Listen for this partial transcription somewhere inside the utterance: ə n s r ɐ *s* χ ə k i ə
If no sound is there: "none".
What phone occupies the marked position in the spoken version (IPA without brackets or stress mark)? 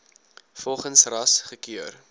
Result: s